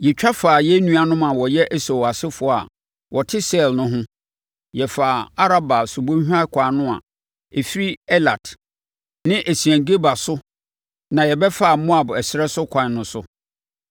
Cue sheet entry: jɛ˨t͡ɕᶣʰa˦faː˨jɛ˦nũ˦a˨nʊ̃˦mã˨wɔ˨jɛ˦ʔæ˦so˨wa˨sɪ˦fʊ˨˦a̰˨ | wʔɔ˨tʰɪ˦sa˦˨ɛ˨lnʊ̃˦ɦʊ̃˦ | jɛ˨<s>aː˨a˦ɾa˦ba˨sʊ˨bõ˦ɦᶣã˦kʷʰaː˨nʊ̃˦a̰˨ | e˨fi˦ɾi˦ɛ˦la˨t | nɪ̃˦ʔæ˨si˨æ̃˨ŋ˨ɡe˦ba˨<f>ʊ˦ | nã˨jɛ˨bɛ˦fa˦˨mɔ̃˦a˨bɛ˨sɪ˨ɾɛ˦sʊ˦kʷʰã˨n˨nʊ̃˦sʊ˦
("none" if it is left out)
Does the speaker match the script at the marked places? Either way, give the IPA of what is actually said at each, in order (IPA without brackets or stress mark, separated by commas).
f, s